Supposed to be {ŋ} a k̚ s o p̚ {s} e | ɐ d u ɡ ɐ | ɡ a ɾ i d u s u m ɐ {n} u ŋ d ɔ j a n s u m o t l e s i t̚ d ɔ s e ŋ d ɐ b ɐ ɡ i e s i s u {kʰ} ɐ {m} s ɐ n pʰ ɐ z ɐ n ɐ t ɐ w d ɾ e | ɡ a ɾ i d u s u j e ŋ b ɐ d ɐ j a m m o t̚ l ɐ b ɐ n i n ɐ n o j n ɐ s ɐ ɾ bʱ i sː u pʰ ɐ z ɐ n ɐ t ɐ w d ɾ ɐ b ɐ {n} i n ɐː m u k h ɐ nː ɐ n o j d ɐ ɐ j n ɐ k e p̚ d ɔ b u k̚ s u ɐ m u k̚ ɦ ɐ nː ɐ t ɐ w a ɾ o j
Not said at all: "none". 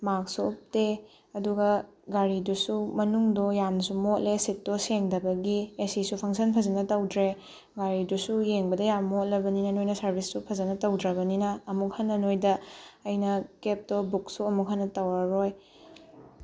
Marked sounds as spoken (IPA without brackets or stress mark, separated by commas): m, t, n, pʰ, ŋ, n